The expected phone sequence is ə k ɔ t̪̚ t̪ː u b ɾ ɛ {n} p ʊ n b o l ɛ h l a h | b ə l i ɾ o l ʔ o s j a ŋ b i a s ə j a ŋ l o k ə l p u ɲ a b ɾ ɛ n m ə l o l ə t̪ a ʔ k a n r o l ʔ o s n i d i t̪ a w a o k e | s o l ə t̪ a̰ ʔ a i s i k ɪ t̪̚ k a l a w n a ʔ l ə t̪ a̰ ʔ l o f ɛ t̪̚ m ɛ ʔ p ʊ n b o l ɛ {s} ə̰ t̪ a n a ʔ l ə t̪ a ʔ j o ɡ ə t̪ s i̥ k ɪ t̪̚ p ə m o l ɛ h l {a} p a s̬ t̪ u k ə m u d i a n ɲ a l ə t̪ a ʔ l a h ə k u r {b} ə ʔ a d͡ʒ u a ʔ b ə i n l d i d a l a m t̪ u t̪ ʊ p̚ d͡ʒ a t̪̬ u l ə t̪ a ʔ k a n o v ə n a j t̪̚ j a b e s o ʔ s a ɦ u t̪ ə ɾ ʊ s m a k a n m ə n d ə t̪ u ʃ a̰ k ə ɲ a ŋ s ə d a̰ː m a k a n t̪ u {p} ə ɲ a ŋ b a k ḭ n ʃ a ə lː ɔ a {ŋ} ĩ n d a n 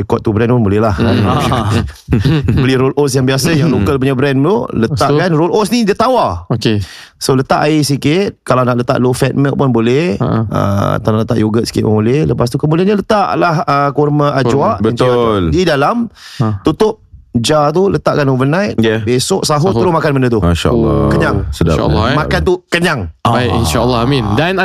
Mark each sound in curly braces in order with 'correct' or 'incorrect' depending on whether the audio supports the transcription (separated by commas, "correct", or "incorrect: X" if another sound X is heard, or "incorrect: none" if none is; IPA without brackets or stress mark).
correct, incorrect: h, incorrect: ə, incorrect: m, incorrect: k, incorrect: m